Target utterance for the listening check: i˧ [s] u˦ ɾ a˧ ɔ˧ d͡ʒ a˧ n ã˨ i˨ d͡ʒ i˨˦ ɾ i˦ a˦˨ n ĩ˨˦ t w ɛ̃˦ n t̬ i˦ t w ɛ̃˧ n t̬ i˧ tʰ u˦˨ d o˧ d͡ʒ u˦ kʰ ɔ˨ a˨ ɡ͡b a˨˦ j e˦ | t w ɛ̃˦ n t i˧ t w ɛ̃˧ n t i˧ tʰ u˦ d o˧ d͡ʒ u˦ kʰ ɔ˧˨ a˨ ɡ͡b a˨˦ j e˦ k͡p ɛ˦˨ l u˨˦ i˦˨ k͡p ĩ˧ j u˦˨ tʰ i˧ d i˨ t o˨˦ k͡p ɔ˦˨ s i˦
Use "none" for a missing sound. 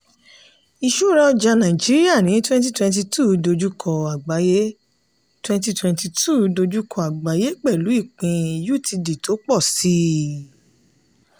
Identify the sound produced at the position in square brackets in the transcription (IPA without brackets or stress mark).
ʃ